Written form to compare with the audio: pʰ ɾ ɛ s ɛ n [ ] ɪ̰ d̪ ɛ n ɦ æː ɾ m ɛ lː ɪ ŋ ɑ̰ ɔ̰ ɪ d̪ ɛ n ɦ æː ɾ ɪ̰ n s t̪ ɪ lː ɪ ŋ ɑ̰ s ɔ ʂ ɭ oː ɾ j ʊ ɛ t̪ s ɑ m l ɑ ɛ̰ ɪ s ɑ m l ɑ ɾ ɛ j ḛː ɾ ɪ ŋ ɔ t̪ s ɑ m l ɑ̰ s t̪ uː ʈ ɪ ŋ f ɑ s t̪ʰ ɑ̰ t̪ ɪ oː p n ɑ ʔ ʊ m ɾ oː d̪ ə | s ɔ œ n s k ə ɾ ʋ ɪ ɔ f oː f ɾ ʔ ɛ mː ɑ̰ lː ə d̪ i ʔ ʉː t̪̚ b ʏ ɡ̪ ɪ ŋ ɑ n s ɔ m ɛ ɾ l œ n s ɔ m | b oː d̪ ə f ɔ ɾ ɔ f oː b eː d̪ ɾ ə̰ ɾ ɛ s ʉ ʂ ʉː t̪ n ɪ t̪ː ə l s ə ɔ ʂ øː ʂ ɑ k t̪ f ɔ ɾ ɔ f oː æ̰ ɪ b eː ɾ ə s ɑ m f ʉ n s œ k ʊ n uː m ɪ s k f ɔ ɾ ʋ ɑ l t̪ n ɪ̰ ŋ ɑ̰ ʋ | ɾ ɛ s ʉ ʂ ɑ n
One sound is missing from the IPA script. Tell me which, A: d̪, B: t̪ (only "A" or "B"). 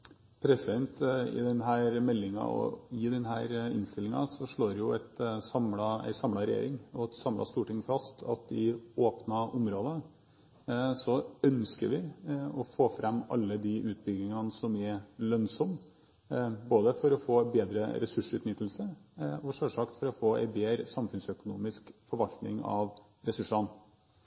B